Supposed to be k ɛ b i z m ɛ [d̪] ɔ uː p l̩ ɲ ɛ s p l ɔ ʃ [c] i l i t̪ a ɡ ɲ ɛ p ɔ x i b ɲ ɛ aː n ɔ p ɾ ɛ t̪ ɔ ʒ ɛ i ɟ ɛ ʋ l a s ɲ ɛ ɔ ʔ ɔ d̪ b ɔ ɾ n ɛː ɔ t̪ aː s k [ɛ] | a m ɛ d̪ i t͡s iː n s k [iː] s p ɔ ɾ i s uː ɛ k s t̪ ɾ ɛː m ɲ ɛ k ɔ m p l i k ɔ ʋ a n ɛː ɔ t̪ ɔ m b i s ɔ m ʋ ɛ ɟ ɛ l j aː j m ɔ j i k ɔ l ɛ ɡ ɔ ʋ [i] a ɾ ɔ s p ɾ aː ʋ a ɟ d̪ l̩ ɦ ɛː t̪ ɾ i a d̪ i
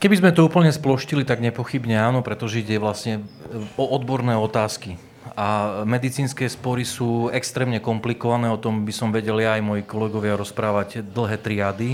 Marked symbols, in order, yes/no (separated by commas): no, yes, no, no, no